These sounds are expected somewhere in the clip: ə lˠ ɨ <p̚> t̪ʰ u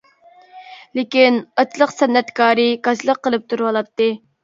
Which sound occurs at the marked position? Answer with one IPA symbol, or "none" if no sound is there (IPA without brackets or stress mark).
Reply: p̚